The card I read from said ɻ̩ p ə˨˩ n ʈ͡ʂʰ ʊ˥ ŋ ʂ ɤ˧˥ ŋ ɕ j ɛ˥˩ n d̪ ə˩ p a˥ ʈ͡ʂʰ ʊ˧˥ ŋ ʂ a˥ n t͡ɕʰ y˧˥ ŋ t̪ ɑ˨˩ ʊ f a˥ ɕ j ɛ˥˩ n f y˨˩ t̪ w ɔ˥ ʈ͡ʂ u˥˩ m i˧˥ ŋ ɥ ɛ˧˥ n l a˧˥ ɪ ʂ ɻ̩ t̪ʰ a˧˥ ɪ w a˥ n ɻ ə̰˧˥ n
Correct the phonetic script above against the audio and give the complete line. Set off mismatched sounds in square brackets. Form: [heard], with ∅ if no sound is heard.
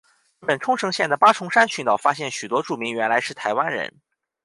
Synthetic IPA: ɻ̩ p ə˨˩ n ʈ͡ʂʰ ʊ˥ ŋ ʂ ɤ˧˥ ŋ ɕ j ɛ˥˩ n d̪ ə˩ p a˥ ʈ͡ʂʰ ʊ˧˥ ŋ ʂ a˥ n t͡ɕʰ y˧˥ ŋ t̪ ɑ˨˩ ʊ f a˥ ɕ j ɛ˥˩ n [ɕ] y˨˩ t̪ w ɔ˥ ʈ͡ʂ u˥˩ m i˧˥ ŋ ɥ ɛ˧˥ n l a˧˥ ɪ ʂ ɻ̩ t̪ʰ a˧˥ ɪ w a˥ n ɻ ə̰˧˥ n